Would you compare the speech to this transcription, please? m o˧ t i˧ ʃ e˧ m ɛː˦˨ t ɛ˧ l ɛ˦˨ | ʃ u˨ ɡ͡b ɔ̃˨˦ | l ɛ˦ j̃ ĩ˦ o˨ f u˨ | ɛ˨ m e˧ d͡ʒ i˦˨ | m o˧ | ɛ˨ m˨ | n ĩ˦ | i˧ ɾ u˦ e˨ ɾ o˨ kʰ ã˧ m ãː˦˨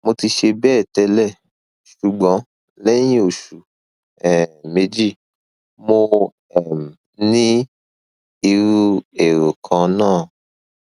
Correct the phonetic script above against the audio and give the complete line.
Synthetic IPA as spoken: m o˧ t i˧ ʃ e˧ b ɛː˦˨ t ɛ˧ l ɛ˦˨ | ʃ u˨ ɡ͡b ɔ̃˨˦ | l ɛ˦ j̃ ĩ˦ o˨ ʃ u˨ | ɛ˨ m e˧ d͡ʒ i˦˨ | m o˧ | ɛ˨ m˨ | n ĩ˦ | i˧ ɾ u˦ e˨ ɾ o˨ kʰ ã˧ n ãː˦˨